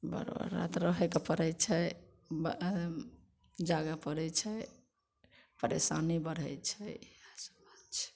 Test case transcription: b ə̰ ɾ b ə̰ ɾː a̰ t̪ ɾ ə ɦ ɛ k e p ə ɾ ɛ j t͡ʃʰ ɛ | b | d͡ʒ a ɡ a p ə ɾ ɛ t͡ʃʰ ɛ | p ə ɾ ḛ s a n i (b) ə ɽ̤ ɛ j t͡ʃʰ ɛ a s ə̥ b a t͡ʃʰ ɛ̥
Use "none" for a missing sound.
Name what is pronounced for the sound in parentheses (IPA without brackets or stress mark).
b